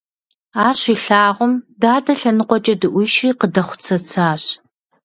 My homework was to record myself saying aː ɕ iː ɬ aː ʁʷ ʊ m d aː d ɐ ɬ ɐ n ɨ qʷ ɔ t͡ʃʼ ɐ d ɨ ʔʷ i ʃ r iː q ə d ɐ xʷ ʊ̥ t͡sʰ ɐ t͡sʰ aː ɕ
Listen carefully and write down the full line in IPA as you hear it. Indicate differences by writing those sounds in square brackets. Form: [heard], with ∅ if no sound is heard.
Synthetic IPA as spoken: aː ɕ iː ɬ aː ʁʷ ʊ m d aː d ɐ ɬ ɐ n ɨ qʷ ɔ t͡ʃʼ ɐ d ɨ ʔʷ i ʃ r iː q ə d ɐ [χʷ] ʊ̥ t͡sʰ ɐ t͡sʰ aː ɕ